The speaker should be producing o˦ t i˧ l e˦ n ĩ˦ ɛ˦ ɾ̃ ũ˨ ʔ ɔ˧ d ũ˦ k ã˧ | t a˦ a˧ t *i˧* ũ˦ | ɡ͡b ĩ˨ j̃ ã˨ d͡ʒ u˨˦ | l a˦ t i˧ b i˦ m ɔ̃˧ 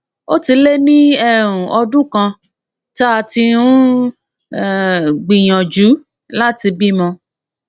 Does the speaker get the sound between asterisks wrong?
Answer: no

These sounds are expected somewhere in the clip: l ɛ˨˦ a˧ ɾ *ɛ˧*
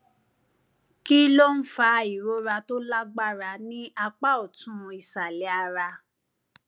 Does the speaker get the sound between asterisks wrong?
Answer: yes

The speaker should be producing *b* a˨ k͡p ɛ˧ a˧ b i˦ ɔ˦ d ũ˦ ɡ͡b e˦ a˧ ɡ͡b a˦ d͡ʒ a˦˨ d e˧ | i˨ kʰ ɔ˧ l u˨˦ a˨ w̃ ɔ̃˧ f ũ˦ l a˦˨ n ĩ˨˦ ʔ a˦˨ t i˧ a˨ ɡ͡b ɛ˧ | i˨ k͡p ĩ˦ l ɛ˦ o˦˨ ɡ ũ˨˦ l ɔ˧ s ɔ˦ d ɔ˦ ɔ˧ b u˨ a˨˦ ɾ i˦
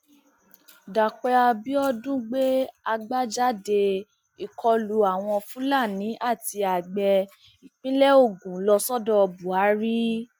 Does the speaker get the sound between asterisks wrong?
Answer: yes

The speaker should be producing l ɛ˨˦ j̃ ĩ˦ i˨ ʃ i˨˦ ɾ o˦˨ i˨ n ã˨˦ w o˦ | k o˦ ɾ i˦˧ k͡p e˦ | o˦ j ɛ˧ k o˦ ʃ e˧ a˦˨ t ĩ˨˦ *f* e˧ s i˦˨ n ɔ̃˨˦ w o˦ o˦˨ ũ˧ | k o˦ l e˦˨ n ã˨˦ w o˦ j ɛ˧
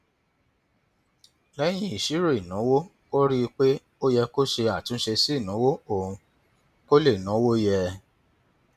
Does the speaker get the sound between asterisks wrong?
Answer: yes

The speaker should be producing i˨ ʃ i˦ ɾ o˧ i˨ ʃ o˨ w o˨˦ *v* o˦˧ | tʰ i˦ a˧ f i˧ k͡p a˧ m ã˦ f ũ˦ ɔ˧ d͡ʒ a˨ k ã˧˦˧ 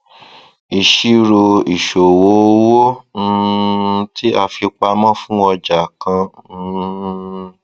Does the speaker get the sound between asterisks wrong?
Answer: yes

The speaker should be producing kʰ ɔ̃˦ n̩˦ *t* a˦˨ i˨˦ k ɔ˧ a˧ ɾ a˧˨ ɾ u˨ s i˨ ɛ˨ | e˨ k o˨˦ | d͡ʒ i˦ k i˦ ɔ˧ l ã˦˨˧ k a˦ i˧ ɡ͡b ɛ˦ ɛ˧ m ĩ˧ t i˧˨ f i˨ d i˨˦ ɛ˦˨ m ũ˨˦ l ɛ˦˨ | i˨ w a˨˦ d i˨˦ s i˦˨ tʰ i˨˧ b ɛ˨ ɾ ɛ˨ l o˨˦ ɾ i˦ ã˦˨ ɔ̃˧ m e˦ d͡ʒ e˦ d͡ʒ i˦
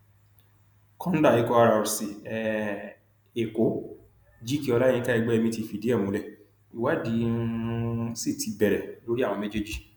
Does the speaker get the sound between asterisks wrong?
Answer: yes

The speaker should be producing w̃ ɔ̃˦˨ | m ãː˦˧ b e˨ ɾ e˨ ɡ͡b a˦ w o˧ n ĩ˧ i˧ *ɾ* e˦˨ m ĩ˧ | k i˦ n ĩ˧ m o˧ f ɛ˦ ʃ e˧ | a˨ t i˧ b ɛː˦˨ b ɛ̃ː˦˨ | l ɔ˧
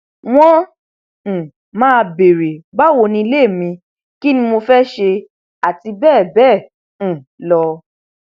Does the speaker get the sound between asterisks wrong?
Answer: yes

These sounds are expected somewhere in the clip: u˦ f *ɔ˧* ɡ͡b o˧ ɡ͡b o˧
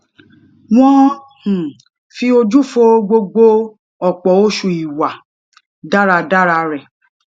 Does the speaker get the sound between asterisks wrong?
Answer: yes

